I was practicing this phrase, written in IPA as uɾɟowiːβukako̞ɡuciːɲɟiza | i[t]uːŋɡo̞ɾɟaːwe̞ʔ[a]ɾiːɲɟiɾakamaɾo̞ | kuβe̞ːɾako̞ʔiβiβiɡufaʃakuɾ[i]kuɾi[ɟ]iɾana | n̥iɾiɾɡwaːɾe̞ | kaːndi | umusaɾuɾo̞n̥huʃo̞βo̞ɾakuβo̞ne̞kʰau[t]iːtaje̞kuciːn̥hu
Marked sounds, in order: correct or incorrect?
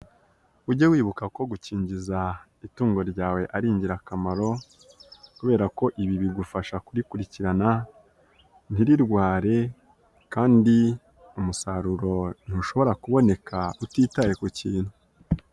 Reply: correct, correct, correct, incorrect: c, correct

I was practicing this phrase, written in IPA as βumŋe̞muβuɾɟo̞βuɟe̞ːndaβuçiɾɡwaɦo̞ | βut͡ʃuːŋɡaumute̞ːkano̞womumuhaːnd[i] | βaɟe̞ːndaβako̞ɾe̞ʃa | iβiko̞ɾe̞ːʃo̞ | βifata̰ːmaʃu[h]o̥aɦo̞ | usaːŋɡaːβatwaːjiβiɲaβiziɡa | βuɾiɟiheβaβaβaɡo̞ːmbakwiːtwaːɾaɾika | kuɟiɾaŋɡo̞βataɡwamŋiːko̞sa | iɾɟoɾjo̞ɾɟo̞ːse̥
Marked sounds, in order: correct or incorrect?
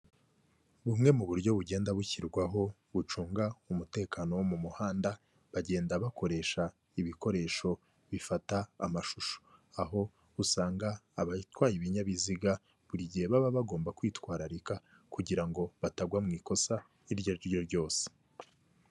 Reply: incorrect: a, incorrect: ʃ

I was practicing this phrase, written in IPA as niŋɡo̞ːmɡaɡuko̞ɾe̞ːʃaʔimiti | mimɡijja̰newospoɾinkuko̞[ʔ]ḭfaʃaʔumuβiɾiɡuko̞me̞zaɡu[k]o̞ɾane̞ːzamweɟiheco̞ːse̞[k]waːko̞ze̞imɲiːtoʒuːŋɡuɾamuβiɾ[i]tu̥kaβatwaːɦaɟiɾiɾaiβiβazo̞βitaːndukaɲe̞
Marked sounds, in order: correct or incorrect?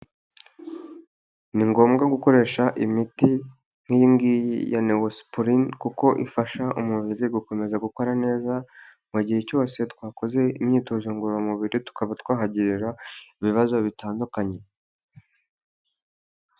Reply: correct, correct, incorrect: t, correct

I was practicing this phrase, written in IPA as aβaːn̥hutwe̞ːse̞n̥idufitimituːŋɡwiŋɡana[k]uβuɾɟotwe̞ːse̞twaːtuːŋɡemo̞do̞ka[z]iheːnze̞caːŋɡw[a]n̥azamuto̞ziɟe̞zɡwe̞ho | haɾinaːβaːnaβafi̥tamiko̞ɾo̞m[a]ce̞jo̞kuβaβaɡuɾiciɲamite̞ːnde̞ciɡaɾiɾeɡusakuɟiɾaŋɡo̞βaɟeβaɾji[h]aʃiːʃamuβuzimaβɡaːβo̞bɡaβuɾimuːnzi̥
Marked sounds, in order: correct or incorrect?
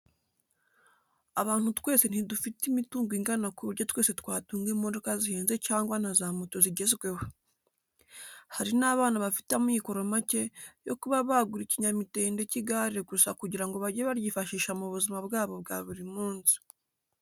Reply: correct, correct, correct, correct, incorrect: f

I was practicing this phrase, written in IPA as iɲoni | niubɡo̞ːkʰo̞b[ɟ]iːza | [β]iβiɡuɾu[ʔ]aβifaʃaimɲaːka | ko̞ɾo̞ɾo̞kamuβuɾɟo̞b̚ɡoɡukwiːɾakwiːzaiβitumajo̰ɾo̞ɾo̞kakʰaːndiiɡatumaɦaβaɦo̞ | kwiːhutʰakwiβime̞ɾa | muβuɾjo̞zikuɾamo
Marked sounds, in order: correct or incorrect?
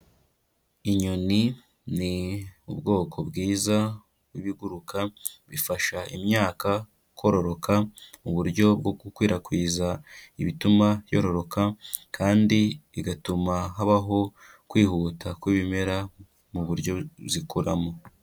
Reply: incorrect: ɡ, incorrect: w, incorrect: k

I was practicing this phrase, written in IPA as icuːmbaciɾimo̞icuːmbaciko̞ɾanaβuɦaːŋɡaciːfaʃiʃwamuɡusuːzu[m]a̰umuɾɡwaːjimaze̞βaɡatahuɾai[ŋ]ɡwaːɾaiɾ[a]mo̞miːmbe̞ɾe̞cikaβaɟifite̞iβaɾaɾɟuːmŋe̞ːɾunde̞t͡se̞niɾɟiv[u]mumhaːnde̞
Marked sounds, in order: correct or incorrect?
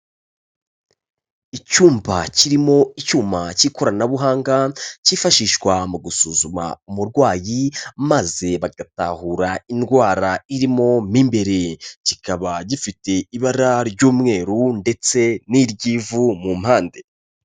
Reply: correct, incorrect: n, incorrect: i, correct

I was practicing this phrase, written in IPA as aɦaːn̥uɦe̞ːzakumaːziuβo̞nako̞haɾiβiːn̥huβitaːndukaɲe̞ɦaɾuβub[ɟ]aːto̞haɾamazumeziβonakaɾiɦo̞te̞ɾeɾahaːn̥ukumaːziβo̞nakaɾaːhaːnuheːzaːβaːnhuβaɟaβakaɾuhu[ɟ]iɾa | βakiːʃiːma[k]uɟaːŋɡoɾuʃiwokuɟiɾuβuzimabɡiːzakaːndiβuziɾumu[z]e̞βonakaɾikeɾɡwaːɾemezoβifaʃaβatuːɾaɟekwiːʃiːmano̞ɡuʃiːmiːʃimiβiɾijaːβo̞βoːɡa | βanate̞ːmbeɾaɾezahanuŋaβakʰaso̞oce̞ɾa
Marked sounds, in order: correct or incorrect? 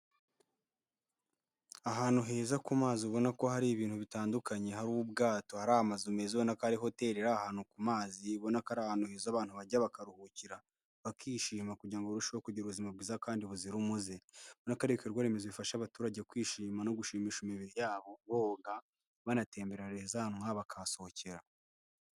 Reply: incorrect: ɡ, incorrect: c, correct, correct

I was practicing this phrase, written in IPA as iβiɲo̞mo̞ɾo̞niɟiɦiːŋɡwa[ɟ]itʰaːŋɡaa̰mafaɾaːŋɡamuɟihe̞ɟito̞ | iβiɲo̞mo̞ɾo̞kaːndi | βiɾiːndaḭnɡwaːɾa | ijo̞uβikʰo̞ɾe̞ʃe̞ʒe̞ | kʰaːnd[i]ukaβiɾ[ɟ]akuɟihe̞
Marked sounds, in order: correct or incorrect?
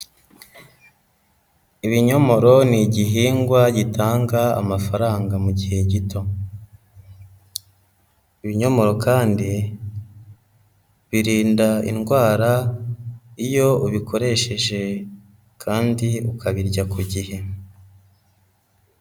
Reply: correct, correct, correct

